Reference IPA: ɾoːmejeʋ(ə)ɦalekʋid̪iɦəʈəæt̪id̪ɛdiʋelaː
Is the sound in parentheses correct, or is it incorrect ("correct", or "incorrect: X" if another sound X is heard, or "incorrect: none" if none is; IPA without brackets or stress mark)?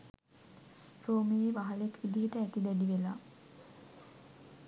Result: incorrect: a